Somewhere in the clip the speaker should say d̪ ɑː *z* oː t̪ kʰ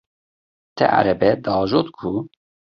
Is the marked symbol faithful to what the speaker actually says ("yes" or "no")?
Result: no